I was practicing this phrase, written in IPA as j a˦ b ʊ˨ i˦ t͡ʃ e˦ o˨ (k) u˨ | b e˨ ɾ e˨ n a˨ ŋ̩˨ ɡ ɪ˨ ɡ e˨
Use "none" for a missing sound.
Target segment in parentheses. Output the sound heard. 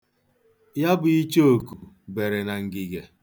k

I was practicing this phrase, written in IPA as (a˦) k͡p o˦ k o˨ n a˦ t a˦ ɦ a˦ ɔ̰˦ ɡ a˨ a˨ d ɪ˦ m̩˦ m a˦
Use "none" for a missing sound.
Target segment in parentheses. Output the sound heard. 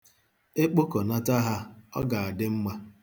e˦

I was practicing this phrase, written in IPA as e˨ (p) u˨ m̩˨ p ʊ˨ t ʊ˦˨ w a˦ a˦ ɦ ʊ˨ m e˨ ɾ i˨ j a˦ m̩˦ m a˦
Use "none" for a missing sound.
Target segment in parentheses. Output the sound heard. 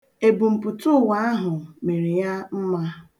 b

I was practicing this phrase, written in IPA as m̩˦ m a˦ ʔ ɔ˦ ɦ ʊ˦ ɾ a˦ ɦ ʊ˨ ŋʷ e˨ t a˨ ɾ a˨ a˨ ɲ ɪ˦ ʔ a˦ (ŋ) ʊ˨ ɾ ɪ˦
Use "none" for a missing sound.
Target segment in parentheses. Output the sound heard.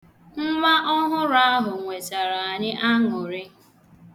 ŋ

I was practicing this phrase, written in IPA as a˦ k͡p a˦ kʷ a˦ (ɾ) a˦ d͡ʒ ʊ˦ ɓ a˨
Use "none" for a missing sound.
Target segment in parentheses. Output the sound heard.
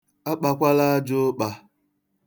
l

